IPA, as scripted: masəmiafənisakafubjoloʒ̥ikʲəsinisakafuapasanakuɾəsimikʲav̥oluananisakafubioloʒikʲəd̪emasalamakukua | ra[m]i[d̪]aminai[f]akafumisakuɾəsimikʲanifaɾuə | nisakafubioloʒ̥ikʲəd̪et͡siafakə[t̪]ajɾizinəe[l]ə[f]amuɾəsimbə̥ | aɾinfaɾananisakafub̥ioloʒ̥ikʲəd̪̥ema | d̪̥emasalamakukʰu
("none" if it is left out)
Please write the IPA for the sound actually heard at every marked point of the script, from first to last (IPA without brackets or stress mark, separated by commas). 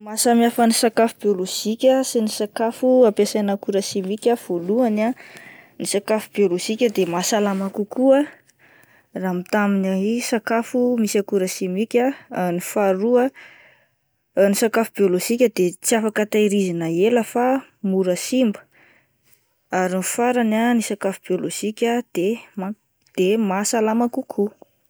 m, t̪, s, t̪, l, f